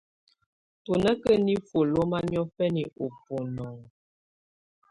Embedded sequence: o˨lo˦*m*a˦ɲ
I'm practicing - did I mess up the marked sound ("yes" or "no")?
no